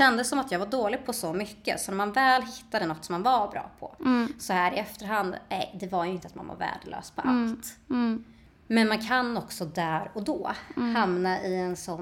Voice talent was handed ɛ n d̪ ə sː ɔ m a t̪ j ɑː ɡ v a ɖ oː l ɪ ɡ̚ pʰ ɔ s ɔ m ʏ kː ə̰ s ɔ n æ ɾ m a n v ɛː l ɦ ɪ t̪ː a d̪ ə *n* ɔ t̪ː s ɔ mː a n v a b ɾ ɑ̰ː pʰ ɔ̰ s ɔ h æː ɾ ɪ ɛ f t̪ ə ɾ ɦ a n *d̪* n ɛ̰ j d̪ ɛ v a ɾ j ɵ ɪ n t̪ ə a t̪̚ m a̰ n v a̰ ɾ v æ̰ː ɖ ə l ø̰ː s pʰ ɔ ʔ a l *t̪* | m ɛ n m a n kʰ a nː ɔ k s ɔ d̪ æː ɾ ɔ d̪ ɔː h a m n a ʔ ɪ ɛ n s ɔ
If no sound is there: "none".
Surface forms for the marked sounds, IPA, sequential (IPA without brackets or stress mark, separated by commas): n, d̪, t̪